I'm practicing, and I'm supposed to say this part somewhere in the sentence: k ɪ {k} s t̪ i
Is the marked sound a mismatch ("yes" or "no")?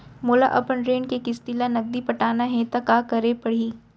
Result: yes